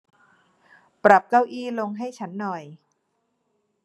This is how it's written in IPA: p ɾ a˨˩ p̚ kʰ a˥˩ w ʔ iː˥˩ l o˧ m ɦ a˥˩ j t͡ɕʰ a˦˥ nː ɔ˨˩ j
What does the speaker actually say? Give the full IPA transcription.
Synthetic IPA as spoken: p ɾ a˨˩ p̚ k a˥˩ w ʔ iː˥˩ l o˧ ŋ ɦ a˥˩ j t͡ɕʰ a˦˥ nː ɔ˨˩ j